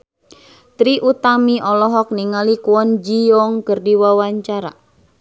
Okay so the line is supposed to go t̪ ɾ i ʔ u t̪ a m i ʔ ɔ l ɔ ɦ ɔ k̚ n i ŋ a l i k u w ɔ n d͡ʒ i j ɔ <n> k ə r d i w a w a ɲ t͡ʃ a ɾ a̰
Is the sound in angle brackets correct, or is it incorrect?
incorrect